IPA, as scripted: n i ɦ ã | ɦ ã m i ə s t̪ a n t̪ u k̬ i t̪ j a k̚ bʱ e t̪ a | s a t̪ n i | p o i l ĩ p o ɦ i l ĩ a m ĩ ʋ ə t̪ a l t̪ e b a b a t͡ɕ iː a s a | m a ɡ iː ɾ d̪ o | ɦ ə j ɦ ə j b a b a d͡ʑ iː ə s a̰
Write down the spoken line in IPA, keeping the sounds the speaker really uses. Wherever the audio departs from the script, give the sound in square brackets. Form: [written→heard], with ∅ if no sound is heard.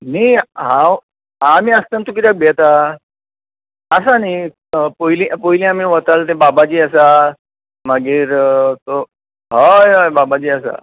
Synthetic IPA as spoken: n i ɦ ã | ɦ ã m i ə s t̪ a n t̪ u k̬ i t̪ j a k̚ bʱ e t̪ a | s a [t̪→∅] n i | p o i l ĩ p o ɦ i l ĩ a m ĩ ʋ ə t̪ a l t̪ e b a b a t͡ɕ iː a s a | m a ɡ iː ɾ [d̪→t̪] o | ɦ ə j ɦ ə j b a b a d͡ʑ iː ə s a̰